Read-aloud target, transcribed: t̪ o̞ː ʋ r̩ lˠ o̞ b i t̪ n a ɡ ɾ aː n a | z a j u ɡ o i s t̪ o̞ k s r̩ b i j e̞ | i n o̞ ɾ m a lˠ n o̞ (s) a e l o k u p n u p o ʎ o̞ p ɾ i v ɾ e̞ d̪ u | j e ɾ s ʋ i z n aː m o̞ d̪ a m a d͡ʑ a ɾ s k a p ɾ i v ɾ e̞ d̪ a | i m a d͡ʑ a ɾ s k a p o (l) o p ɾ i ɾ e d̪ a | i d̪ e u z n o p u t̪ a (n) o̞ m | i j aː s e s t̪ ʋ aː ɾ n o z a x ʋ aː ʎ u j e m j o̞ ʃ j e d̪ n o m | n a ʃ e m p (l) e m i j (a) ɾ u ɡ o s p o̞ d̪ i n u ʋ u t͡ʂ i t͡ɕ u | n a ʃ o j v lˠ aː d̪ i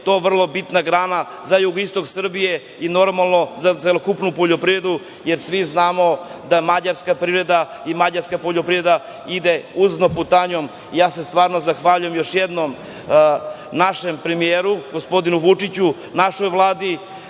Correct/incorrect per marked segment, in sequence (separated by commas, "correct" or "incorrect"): incorrect, incorrect, incorrect, incorrect, incorrect